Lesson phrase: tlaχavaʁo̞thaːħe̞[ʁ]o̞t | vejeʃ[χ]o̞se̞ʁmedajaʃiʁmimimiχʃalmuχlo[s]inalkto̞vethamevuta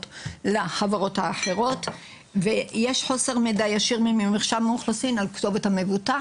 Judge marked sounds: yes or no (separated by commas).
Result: yes, no, yes